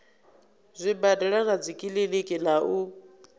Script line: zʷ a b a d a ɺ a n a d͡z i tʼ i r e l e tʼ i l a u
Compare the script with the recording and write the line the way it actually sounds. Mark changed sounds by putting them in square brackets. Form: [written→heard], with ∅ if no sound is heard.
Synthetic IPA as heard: zʷ [a→i] b a d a ɺ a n a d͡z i [tʼ→kʼ] i [r→l] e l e [tʼ→kʼ] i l a u